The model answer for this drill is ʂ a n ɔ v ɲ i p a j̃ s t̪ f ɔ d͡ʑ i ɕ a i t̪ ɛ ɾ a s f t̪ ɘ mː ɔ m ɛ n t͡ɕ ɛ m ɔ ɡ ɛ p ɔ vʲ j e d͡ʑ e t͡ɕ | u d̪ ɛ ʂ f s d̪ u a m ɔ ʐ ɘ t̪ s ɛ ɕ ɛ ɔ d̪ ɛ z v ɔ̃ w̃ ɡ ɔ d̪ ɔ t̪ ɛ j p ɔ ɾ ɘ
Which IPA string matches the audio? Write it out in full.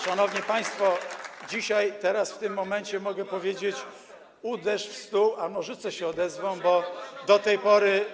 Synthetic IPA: ʂ a n ɔ v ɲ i p a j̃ s t̪ f ɔ d͡ʑ i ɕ a j t̪ ɛ ɾ a s f t̪ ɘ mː ɔ m ɛ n t͡ɕ ɛ m ɔ ɡ ɛ p ɔ vʲ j e d͡ʑ e t͡ɕ | u d̪ ɛ ʂ f s t̪ u a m ɔ ʐ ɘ t̪ s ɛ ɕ ɛ ɔ d̪ ɛ z v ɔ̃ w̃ b ɔ d̪ ɔ t̪ ɛ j p ɔ ɾ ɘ